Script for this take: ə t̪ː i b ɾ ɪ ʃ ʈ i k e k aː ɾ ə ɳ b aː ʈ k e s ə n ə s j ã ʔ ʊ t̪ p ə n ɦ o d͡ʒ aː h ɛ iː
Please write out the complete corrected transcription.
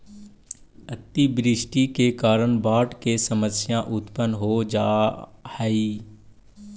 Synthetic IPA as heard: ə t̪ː i b ɾ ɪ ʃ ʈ i k e k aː ɾ ə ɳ b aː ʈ k e s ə m ə s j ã ʔ ʊ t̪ p ə n ɦ o d͡ʒ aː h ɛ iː